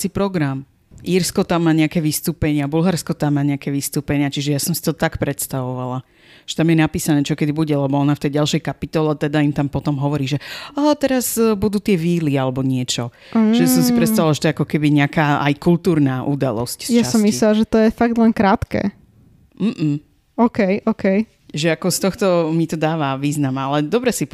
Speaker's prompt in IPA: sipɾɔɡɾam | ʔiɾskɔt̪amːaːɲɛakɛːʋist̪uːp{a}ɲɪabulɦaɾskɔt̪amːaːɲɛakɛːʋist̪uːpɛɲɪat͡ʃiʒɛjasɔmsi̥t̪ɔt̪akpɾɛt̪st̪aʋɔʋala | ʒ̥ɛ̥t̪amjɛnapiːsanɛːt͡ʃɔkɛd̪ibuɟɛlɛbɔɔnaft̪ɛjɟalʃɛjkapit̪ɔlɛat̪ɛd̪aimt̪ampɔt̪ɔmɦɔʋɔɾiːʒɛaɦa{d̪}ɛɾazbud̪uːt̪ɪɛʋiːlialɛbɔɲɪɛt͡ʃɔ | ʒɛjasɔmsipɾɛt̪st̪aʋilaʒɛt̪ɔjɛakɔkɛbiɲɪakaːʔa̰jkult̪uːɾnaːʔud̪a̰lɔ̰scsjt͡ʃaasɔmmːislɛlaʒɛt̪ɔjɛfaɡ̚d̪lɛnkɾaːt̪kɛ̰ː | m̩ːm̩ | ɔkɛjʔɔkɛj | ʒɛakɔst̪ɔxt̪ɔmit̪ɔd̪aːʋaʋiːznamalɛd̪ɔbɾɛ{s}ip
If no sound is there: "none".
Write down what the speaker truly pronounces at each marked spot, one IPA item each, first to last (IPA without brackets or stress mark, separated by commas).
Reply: ɛ, t̪, s